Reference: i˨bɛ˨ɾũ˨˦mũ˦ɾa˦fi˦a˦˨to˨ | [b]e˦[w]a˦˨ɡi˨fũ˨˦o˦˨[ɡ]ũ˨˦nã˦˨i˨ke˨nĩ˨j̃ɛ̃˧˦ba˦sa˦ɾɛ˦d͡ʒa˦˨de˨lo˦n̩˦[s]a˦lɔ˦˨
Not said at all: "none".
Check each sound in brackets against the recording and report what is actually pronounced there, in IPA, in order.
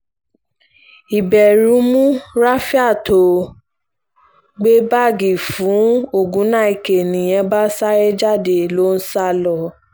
ɡ͡b, b, ɡ, s

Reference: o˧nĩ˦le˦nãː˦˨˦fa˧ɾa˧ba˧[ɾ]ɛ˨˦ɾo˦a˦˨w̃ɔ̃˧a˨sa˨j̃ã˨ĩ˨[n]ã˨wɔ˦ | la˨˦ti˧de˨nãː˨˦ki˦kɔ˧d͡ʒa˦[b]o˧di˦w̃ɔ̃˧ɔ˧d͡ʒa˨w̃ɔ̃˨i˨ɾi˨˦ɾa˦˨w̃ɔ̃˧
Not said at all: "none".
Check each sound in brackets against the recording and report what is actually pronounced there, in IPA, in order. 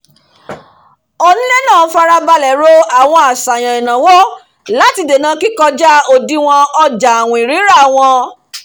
l, n, none

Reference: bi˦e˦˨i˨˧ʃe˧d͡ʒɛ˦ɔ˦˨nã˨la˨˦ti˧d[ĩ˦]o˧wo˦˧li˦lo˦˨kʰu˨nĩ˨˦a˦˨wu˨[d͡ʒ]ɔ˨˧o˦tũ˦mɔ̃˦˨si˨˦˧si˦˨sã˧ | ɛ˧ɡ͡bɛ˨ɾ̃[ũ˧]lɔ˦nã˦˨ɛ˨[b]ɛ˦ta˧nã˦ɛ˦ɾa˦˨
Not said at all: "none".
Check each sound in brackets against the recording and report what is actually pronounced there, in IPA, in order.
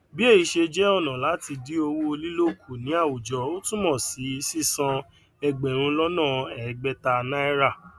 i˦, d͡ʒ, ũ˧, ɡ͡b

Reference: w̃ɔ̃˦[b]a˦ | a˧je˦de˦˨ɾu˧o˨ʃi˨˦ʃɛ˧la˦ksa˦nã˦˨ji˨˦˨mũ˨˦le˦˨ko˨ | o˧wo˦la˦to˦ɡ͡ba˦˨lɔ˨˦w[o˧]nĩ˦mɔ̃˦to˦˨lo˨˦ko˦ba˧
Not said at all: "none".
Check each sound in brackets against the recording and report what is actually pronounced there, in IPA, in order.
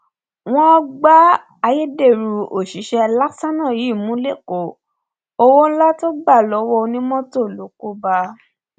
ɡ͡b, ɔ˧

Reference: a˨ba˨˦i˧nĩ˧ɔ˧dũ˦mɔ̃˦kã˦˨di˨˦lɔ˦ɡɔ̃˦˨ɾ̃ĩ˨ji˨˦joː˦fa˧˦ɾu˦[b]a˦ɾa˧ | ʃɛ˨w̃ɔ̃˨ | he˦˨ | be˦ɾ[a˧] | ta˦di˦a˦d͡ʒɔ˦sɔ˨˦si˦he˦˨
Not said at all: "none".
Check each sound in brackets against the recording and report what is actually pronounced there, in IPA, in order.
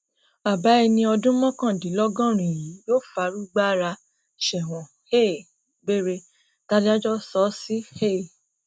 ɡ͡b, e˧

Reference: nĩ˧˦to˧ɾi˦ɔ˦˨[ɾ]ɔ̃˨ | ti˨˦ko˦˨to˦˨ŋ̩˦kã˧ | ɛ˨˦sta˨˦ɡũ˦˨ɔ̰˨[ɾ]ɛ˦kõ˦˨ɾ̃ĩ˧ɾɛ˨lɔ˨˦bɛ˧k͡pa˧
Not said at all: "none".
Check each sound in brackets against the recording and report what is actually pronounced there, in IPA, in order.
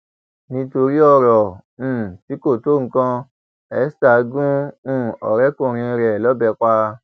ɾ, ɾ

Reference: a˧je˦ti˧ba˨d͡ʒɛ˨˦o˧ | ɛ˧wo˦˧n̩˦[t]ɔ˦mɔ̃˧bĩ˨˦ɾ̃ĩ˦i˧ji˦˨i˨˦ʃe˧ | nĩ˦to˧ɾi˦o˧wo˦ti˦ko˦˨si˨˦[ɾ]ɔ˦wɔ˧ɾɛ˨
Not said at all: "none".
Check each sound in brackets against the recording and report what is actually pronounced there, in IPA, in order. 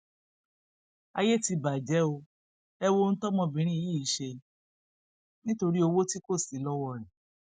t, l

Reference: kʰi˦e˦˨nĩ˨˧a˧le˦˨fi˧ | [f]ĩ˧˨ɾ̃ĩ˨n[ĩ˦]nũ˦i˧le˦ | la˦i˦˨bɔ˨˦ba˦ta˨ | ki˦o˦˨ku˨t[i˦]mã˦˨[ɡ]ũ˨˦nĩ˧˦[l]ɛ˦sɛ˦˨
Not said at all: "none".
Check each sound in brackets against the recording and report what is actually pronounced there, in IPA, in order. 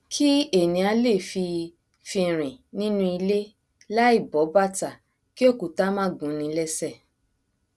f, ĩ˦, a˦, ɡ, l

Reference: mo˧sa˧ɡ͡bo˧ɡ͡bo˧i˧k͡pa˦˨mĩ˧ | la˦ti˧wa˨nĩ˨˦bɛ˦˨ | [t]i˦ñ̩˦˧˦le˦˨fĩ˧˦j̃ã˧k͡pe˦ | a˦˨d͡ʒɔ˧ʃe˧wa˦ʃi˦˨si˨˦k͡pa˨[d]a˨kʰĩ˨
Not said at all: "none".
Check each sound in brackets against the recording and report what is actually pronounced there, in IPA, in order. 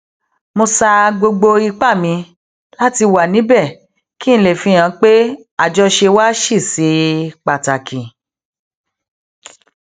k, t

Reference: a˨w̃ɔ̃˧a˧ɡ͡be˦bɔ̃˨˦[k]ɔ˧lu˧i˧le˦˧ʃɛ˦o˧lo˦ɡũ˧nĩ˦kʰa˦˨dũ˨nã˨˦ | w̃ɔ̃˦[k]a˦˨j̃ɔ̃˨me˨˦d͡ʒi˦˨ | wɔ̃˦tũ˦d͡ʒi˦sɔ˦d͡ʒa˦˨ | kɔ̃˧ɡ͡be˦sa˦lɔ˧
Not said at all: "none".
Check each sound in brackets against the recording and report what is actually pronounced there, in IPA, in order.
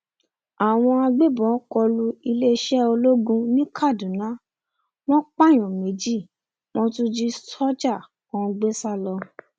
k, k͡p

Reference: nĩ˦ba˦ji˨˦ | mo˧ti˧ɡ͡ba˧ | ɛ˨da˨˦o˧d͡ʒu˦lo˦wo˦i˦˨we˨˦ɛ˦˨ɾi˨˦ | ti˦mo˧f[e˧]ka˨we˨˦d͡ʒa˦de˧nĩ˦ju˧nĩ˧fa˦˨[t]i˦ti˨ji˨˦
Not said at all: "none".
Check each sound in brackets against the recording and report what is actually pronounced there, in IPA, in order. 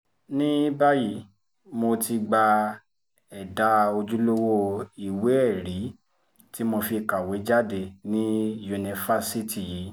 i˧, s

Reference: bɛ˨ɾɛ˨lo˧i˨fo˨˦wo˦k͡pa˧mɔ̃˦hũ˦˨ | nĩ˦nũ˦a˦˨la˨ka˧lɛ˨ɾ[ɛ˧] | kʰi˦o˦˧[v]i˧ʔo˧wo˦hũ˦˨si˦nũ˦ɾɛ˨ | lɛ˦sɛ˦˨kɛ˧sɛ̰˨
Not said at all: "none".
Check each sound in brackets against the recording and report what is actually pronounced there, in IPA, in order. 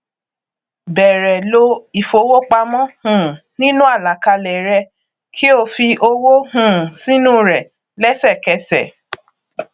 ɛ˧, f

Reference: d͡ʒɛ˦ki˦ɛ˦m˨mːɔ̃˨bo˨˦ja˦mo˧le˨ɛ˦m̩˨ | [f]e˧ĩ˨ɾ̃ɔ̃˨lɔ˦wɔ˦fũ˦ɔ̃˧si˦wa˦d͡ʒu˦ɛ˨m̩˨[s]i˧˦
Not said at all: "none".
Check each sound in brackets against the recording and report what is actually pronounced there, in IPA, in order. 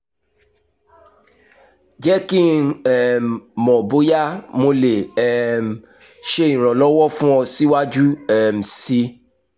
ʃ, s

